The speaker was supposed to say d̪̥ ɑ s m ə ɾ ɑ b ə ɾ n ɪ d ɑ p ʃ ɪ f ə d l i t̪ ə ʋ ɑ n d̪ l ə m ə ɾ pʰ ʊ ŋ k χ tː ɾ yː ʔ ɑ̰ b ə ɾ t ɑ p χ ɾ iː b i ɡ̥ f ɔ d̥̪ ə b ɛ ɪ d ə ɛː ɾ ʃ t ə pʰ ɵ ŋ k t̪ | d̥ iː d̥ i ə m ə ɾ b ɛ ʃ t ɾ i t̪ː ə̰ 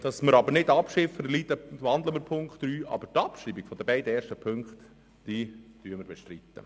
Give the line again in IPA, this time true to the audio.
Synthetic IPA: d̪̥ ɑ s m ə ɾ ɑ b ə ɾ n ɪ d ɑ p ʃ ɪ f ə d l i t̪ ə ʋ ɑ n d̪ l ə m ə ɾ pʰ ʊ ŋ k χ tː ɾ yː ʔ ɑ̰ b ə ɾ t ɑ p ʃ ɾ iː b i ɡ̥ f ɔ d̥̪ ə b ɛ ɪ d ə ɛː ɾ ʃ t ə pʰ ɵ ŋ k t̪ | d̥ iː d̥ y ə m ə ɾ b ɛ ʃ t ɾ i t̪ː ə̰

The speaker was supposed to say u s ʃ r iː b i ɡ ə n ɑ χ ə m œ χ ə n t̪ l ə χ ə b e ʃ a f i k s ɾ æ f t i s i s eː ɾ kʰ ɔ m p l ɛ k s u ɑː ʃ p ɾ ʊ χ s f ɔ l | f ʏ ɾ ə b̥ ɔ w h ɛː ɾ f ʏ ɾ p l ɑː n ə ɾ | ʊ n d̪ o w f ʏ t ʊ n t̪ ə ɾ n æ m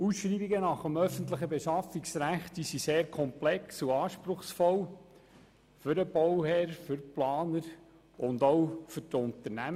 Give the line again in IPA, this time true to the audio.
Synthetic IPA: u s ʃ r iː b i ɡ ə n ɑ χ ə m œ f ə n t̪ l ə χ ə b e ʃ ɑ f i k s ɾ æ χ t i s i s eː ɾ kʰ ɔ m p l ɛ k s u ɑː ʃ p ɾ ʊ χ s f ɔ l | f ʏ ɾ ə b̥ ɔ w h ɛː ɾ f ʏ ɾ p l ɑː n ə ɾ | ʊ n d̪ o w f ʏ t ʊ n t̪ ə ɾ n æ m

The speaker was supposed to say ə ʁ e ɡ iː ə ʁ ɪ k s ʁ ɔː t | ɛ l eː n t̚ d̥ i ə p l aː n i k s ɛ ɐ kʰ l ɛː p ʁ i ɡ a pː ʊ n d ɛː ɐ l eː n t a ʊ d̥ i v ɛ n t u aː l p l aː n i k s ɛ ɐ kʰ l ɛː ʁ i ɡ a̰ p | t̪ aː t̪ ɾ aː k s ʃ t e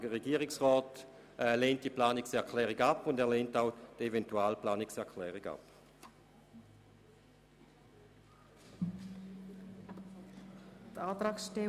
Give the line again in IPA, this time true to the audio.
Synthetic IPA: ə ʁ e ɡ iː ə ʁ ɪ k s ʁ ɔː t | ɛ l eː n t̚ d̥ i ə p l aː n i k s ɛ ɐ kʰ l ɛː ʁ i ɡ a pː ʊ n d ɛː ɐ l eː n t a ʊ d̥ e v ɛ n t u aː l p l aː n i k s ɛ ɐ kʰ l ɛː ʁ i ɡ a̰ p | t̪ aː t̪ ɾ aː k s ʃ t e

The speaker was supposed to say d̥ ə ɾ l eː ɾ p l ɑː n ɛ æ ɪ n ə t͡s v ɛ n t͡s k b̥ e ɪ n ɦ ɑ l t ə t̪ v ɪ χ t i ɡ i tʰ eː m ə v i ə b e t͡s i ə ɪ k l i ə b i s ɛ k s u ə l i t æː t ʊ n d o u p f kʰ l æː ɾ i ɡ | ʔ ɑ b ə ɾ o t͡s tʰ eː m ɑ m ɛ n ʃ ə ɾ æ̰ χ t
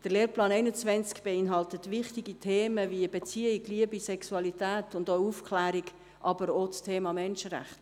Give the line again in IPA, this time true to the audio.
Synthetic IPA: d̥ ə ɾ l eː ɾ p l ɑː n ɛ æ ɪ n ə t͡s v ɛ n t͡s k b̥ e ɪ n ɦ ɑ l t ə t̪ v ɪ χ t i ɡ i tʰ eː m ə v i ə b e t͡s i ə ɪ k l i ə b i s ɛ k s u ɑ l i t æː t ʊ n d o u f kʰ l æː ɾ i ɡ | ʔ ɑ b ə ɾ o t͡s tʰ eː m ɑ m ɛ n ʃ ə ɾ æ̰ χ t

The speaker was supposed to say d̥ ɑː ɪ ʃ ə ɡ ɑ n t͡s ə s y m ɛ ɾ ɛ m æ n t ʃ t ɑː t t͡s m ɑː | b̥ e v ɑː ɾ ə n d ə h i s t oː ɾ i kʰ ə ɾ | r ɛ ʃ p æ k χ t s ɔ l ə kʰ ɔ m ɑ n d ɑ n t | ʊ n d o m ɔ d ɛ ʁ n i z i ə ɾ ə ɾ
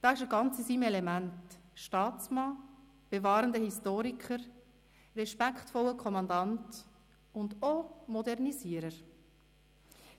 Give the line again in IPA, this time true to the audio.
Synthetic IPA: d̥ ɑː ɪ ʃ ə ɡ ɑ n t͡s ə s i m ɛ l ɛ m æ n t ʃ t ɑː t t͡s m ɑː | b̥ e v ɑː ɾ ə n d ə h i s t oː ɾ i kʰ ə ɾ | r ɛ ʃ p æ k χ t f ɔ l ə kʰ ɔ m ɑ n d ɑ n t | ʊ n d o m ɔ d ɛ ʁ n i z i ə ɾ ə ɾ

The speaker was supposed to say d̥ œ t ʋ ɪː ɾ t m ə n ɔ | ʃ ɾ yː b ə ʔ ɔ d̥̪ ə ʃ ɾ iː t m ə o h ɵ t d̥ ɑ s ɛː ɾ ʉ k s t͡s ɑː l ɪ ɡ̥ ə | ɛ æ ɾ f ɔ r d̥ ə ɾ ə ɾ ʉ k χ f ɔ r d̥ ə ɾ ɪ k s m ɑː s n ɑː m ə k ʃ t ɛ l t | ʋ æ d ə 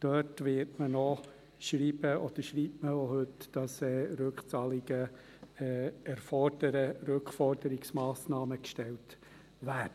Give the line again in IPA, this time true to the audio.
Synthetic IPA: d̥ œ t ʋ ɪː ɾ t m ə n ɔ | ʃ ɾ iː b ə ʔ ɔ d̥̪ ə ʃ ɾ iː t m ə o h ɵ t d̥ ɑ s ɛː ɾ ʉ k χ t͡s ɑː l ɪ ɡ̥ ə | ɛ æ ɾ f ɔ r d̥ ə ɾ ə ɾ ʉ k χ f ɔ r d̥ ə ɾ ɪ k s m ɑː s n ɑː m ə k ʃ t ɛ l t | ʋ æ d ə

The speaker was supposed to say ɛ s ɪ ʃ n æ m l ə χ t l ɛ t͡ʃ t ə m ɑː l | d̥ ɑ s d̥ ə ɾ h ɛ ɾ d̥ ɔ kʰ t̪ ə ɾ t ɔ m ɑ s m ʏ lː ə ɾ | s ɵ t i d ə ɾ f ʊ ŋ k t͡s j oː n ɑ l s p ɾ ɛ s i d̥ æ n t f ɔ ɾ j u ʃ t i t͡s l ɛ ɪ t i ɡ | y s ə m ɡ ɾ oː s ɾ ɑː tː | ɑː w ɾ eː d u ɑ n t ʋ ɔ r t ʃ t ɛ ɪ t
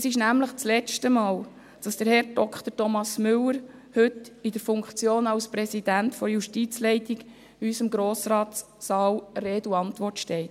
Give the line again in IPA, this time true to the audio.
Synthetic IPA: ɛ s ɪ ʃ n æ m l ə χ t͡s l ɛ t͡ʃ t ə m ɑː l | d̥ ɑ s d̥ ə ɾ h ɛ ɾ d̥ ɔ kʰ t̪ ə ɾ t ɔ m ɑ s m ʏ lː ə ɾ | h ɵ t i d ə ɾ f ʊ ŋ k t͡s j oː n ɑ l s p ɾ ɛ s i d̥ æ n t f ɔ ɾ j u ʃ t i t͡s l ɛ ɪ t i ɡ | y s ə m ɡ ɾ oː s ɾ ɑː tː | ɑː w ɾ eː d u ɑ n t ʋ ɔ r t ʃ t ɛ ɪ t

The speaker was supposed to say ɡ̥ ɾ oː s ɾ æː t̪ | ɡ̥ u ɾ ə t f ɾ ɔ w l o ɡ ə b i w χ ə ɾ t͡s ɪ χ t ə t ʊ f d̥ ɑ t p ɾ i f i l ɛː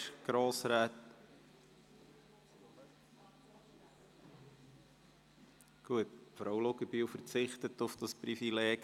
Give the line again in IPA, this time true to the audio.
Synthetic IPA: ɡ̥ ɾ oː s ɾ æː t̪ | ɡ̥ u ə t f ɾ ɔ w l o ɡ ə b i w f ə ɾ t͡s ɪ χ t ə t ʊ f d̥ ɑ s p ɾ i f i l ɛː

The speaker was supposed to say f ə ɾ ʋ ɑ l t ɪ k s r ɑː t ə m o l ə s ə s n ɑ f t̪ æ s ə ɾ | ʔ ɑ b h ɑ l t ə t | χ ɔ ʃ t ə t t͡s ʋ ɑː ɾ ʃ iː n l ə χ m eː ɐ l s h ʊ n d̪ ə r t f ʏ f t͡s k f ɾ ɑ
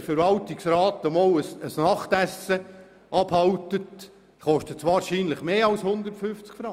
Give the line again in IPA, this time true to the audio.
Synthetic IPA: f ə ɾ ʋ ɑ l t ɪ k s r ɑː t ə m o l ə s ə s n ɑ χ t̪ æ s ə | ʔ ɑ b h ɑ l t ə t | χ ɔ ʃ t ə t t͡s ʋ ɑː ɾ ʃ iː n l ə χ m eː ɑ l s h ʊ n d̪ ə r t f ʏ f t͡s k f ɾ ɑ

